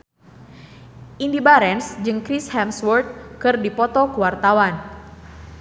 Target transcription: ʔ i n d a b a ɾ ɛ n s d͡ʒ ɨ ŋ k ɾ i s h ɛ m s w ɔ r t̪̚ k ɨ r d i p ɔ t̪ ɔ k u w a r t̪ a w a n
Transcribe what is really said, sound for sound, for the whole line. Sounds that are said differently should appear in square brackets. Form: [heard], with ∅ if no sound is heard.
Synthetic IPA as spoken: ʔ i n d [i] b a ɾ ɛ n s d͡ʒ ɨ ŋ k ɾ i s h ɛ m s w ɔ r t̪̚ k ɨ r d i p ɔ t̪ ɔ k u w a r t̪ a w a n